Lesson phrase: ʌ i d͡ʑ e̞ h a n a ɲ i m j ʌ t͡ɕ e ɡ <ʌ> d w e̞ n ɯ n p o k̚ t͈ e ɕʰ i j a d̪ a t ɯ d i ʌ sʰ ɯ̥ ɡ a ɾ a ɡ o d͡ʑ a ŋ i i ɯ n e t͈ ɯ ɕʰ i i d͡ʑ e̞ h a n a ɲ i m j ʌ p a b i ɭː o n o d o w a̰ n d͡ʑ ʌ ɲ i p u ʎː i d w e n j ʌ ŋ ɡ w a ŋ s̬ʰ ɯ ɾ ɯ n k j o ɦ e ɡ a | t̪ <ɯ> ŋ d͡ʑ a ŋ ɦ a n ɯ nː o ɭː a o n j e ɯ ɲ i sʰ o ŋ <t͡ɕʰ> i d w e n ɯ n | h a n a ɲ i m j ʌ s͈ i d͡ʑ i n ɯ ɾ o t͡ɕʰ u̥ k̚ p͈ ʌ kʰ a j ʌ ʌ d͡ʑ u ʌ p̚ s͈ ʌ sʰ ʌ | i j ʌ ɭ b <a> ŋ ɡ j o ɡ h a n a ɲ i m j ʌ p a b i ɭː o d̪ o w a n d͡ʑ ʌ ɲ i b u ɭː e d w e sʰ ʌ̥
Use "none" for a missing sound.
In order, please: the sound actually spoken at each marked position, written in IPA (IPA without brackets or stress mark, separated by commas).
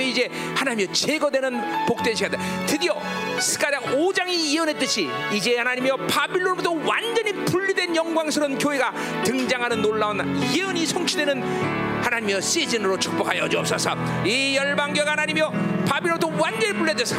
ʌ, ɯ, t͡ɕʰ, a